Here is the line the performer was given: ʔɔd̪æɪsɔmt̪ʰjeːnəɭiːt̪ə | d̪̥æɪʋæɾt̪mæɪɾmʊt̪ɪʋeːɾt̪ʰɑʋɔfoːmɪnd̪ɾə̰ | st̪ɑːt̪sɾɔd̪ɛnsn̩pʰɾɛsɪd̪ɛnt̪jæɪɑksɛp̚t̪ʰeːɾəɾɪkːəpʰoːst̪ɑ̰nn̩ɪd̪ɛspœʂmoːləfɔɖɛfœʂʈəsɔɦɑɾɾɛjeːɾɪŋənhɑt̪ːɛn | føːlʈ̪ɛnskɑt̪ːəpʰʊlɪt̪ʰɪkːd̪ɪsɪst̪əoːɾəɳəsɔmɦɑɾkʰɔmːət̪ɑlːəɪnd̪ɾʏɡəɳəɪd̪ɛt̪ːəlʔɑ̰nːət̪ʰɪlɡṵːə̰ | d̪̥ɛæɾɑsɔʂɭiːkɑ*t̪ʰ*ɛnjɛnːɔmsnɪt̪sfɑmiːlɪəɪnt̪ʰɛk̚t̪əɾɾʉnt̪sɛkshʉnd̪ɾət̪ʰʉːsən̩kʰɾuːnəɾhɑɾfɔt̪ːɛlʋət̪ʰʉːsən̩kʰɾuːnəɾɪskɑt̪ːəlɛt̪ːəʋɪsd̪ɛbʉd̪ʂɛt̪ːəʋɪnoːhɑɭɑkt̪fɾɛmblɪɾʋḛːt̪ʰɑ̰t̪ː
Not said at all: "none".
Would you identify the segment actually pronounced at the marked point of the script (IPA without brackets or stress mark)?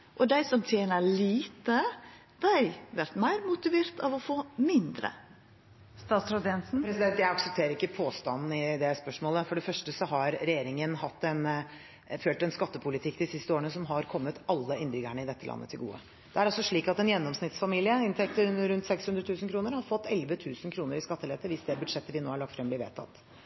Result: t̪